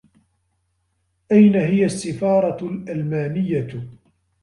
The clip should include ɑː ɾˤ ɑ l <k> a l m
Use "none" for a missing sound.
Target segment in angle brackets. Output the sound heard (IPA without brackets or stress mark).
ʔ